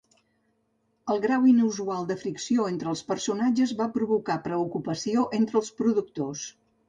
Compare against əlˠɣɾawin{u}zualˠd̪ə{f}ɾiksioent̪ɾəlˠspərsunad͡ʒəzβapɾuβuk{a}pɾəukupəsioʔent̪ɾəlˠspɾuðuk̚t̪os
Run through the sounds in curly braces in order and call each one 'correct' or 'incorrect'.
correct, correct, correct

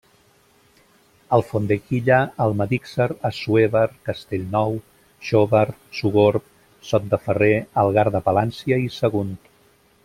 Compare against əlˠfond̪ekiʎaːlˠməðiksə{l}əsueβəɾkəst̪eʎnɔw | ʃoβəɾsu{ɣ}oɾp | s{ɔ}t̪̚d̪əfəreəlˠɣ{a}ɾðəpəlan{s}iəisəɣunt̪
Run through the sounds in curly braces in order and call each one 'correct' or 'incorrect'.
incorrect: ɾ, correct, correct, correct, correct

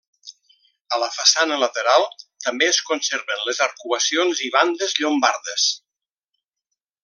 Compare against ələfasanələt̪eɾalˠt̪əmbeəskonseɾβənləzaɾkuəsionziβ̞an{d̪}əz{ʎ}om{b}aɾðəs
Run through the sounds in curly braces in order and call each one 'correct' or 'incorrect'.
correct, correct, correct

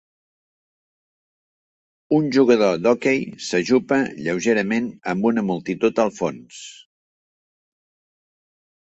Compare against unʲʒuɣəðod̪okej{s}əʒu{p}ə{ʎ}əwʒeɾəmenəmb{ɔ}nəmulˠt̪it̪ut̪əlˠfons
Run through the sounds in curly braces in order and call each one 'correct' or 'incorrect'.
correct, correct, correct, incorrect: u

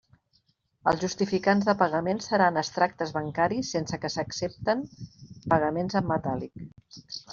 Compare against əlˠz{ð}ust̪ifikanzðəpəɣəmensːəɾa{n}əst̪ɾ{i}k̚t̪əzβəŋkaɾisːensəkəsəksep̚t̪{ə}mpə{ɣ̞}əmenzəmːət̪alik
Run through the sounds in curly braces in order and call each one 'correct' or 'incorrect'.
incorrect: ʒ, correct, incorrect: a, correct, correct

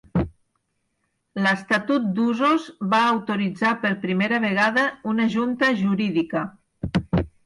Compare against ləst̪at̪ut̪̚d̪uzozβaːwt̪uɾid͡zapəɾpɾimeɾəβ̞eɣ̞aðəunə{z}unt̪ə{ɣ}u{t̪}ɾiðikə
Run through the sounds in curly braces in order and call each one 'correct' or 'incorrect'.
incorrect: ʒ, incorrect: ʒ, incorrect: none

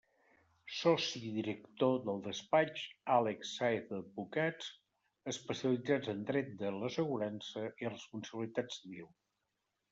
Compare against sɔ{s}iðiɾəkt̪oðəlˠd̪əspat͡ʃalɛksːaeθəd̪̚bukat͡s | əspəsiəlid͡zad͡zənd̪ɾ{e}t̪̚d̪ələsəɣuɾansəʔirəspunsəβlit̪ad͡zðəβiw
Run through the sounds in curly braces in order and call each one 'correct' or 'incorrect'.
correct, incorrect: ɛ

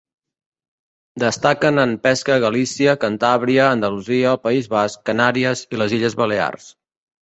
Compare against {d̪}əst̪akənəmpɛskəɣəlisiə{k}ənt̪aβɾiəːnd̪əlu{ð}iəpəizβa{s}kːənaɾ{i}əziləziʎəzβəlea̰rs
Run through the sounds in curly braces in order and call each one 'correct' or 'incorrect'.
correct, correct, incorrect: z, correct, correct

